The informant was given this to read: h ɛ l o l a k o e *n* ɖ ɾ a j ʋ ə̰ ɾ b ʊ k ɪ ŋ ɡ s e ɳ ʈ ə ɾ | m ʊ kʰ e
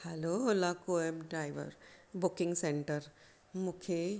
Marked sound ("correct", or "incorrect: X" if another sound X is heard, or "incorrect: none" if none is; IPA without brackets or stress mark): incorrect: m